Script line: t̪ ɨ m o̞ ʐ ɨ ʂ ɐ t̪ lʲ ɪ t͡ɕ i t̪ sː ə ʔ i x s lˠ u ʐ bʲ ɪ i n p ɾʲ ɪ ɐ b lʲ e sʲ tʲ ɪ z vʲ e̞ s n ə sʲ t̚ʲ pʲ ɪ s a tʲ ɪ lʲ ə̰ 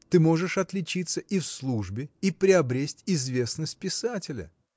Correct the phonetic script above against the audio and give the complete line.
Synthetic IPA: t̪ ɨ m o̞ ʐ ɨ ʂ ɐ t̪ lʲ ɪ t͡ɕ i t̪ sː ə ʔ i f s lˠ u ʐ bʲ ɪ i p ɾʲ ɪ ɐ b ɾʲ e sʲ tʲ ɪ z vʲ e̞ s n ə sʲ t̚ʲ pʲ ɪ s a tʲ ɪ lʲ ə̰